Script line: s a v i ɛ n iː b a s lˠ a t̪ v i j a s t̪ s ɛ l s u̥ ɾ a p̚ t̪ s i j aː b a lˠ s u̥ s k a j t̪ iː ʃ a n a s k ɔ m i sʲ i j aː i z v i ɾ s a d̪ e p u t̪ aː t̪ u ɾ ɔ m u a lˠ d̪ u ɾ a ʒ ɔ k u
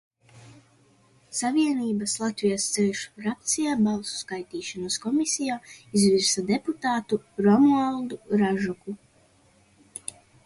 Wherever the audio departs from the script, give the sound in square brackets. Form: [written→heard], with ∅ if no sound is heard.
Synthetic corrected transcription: s a v i ɛ n iː b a s lˠ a t̪ v i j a s t̪ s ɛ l [s→ʃ] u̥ ɾ a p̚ t̪ s i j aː b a lˠ s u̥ s k a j t̪ iː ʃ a n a s k ɔ m i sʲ i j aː i z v i ɾ s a d̪ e p u t̪ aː t̪ u ɾ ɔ m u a lˠ d̪ u ɾ a ʒ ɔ k u